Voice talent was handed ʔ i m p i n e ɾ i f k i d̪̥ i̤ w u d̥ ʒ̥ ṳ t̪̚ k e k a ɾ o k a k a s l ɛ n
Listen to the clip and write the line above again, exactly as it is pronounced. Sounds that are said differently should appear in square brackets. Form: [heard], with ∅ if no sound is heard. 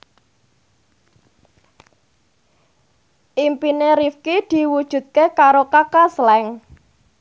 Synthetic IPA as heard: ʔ i m p i n e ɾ i f k i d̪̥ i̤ w u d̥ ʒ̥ ṳ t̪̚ k e k a ɾ o k a k a s l ɛ [ŋ]